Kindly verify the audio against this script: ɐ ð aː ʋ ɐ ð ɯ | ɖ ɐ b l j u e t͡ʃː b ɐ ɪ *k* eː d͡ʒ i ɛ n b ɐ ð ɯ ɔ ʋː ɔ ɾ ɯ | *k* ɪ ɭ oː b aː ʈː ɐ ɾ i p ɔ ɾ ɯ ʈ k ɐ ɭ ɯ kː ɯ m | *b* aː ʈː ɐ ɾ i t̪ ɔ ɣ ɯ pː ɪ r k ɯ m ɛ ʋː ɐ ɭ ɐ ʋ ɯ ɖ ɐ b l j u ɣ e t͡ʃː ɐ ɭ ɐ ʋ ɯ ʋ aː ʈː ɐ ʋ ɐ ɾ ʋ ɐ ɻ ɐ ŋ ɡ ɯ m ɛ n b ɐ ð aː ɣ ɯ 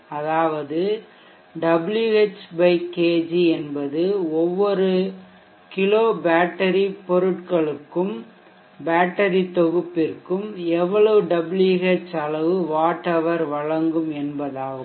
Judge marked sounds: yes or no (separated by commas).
yes, yes, yes